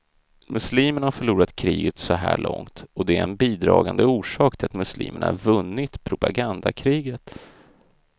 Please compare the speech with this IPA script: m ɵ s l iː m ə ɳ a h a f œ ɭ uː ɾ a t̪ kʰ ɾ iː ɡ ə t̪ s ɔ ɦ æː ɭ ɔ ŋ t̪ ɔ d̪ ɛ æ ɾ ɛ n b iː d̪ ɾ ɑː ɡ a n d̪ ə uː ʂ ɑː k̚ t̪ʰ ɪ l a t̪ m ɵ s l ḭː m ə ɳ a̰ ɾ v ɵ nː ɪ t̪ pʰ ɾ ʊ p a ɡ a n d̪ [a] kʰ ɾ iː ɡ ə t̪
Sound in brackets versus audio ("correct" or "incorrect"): correct